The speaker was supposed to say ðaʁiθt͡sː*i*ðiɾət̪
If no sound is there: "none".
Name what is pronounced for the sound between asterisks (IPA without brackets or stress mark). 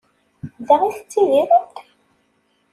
i